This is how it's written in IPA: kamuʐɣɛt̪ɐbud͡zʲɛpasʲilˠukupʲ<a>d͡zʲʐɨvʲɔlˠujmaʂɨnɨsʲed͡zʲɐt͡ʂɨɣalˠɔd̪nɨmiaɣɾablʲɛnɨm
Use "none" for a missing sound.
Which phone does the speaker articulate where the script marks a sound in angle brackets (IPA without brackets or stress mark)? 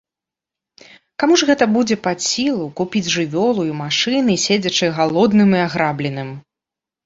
i